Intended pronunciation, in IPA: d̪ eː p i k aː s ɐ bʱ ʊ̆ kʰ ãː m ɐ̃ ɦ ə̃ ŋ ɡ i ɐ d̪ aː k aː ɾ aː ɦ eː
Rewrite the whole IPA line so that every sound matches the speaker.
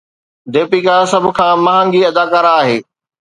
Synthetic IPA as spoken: d̪ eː p i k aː s ɐ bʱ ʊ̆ kʰ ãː m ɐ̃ ɦ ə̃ ŋ ɡ i ɐ d̪ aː k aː ɾ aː ɦ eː